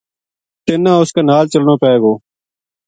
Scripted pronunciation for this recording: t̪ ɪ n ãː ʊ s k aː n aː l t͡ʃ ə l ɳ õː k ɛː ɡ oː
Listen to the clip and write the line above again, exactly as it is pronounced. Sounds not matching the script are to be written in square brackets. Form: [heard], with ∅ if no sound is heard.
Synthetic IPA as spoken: t̪ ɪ n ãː ʊ s k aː n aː l t͡ʃ ə l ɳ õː [p] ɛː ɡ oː